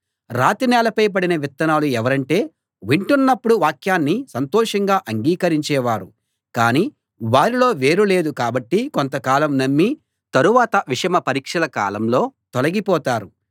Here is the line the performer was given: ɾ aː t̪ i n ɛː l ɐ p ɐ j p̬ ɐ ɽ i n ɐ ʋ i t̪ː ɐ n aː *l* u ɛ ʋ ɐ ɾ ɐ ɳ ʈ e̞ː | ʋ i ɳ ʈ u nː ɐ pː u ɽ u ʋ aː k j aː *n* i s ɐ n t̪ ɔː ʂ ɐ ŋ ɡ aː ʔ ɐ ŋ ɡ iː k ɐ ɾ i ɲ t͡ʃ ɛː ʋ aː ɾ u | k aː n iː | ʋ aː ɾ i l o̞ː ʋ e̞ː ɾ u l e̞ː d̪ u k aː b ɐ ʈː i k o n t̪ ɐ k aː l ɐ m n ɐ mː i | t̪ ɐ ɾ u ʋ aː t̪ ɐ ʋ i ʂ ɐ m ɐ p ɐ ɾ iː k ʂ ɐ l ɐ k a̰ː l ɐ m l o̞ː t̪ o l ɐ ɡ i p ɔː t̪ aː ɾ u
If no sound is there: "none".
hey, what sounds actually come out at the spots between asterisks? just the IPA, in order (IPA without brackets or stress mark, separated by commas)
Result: l, nː